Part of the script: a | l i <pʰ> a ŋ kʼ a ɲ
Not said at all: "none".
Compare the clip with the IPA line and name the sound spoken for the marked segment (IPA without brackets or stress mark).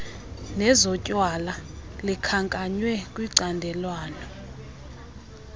kʰ